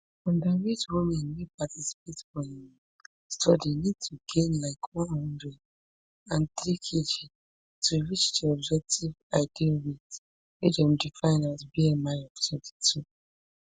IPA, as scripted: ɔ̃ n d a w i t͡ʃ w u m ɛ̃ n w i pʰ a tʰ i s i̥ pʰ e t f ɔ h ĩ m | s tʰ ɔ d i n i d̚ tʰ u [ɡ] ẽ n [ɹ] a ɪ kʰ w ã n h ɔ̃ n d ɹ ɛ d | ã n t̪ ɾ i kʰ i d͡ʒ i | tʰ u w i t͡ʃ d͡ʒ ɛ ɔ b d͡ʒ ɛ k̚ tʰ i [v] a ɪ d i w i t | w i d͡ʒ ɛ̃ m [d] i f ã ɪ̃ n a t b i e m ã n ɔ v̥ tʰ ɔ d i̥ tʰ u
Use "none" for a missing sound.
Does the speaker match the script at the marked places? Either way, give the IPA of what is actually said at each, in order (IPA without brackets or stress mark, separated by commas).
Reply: ɡ, l, v, d